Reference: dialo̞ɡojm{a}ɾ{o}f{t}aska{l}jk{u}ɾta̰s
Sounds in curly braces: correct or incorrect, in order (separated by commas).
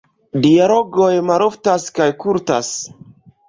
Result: correct, correct, correct, incorrect, correct